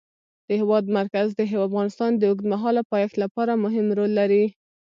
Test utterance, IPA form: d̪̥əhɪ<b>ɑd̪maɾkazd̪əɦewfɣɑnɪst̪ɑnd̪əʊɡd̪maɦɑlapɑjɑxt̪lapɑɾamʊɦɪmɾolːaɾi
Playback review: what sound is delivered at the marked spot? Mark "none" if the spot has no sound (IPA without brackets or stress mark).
w